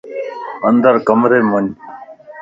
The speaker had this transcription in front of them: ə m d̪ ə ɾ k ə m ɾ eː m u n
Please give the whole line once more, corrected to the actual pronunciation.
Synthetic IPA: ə n d̪ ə ɾ k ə m ɾ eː m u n